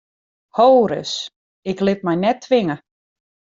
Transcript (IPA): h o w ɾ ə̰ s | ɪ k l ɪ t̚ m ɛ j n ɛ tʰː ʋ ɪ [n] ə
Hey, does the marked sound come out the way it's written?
no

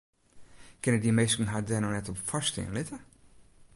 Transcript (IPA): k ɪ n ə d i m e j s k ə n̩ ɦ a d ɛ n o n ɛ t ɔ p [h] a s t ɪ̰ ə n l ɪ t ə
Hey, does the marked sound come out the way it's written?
no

